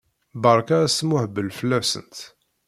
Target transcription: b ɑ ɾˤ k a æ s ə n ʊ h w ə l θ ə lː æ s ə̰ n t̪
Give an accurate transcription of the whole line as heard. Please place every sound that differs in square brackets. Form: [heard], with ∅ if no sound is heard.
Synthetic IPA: b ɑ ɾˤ k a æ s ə [m] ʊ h [b] ə l [f] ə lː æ s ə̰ n t̪